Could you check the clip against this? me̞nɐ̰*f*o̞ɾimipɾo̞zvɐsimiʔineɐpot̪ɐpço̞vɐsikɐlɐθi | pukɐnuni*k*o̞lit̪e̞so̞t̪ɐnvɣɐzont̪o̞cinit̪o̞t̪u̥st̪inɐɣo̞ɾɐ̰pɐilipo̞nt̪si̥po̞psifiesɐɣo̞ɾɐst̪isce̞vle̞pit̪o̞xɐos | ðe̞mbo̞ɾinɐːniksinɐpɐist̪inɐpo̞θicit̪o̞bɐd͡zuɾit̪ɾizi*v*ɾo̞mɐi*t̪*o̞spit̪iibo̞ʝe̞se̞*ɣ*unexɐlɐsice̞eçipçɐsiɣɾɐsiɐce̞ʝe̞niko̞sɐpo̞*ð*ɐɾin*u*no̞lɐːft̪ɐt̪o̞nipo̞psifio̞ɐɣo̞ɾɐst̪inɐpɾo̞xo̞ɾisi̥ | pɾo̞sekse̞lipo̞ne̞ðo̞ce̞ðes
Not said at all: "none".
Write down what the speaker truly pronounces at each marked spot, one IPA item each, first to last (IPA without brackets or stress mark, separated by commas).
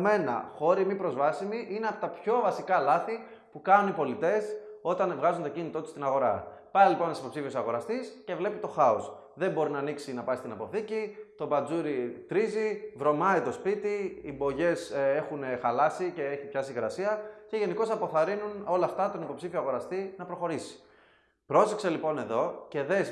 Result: x, p, v, t̪, x, θ, u